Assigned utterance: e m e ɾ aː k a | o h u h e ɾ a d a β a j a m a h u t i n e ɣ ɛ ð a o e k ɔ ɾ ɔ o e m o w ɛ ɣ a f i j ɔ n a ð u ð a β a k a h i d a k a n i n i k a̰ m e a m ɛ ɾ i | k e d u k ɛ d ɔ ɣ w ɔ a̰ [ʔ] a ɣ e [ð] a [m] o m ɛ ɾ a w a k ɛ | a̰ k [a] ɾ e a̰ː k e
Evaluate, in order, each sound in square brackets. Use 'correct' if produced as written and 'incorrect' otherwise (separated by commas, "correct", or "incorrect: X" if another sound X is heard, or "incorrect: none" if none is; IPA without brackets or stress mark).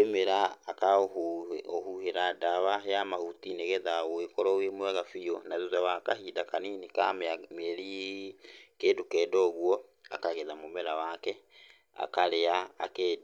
incorrect: k, correct, correct, correct